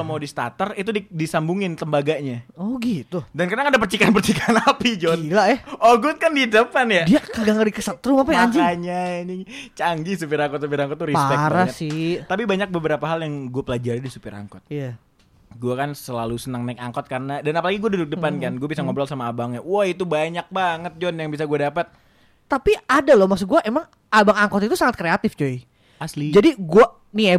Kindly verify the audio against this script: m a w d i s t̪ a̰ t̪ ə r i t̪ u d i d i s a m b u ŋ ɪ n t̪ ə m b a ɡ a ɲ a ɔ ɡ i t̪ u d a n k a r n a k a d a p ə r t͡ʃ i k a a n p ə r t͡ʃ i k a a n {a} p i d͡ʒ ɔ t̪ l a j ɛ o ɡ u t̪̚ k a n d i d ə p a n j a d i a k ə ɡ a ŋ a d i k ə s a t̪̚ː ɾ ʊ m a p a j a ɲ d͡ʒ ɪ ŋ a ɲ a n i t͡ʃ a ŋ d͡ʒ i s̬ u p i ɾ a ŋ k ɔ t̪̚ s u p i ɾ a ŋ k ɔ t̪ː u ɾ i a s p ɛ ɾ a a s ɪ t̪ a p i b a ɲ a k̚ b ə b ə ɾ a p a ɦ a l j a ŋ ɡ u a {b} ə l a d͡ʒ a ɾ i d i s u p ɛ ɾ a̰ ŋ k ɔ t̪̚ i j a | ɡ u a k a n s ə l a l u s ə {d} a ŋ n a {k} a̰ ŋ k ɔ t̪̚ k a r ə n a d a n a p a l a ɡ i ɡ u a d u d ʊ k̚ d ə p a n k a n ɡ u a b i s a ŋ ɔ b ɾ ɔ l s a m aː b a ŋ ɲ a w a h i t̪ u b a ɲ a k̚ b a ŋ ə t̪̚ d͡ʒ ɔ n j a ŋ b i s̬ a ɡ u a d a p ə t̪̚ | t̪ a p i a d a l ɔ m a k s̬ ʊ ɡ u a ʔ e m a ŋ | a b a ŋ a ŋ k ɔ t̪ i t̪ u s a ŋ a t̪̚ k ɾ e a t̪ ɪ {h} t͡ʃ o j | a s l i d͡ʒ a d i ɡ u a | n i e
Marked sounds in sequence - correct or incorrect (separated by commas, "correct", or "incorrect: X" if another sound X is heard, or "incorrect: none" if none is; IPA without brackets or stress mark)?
correct, incorrect: p, incorrect: n, correct, incorrect: f